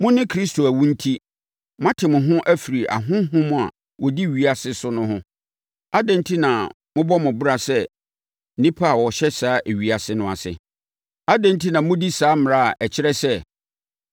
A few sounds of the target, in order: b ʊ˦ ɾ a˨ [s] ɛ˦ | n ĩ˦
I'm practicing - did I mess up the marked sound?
no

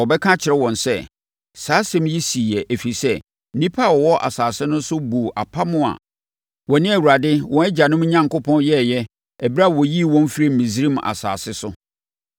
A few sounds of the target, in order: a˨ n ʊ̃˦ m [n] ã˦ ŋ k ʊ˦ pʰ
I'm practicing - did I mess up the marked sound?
yes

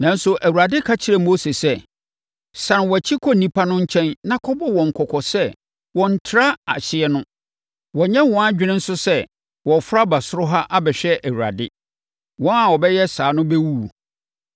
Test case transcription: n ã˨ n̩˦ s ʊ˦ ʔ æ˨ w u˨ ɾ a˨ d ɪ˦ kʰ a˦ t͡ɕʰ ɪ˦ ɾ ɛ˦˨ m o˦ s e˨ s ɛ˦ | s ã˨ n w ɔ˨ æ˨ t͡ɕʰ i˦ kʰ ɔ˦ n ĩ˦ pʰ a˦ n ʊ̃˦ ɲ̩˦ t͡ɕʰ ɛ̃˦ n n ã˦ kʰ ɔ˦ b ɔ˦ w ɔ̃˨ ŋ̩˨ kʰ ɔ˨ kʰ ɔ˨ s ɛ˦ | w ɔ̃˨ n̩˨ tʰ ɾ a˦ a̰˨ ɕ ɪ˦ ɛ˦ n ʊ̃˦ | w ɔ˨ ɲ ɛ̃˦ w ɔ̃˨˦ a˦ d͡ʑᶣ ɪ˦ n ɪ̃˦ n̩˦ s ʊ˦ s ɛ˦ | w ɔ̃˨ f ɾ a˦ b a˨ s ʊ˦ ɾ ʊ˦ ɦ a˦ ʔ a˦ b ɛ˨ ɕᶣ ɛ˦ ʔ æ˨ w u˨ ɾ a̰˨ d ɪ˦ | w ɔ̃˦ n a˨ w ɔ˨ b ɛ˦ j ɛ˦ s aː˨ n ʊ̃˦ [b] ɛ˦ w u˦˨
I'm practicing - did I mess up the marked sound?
no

